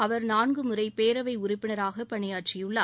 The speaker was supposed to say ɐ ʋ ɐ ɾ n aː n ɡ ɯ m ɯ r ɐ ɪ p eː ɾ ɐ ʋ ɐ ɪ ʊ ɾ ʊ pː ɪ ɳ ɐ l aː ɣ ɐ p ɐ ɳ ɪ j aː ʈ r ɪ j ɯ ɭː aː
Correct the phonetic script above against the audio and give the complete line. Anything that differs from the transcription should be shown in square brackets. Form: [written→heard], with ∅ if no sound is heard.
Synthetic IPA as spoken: ɐ ʋ ɐ ɾ n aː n ɡ ɯ m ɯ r ɐ ɪ p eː ɾ ɐ ʋ ɐ ɪ ʊ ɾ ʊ pː ɪ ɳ ɐ [l→ɾ] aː ɣ ɐ p ɐ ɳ ɪ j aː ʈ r ɪ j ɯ ɭː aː